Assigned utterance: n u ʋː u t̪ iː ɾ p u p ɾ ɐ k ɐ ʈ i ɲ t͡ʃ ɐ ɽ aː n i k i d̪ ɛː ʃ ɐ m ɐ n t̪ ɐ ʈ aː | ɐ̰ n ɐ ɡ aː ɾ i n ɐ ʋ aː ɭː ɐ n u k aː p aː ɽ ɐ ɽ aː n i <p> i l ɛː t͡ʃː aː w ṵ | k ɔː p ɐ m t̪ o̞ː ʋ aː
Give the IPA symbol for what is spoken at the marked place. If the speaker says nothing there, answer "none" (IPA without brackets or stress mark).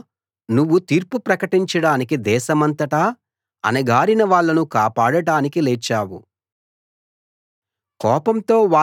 k